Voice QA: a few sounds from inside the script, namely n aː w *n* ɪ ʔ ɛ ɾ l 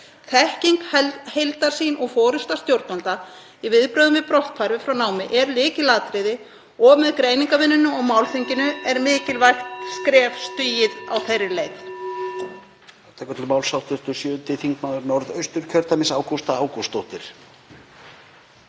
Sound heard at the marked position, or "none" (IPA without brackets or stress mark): m